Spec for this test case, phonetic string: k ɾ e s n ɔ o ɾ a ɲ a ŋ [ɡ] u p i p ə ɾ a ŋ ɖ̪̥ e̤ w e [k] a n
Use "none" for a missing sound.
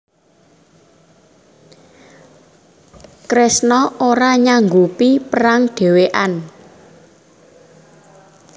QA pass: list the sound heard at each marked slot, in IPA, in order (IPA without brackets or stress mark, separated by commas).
ɡ, ʔ